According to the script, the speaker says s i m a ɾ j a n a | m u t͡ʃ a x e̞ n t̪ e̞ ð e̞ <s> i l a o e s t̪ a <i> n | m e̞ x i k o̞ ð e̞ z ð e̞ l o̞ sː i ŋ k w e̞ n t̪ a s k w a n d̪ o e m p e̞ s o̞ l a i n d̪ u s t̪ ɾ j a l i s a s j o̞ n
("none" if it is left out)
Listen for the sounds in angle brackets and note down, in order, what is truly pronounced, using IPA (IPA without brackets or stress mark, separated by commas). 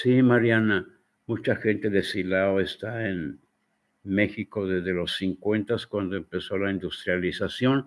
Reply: s, e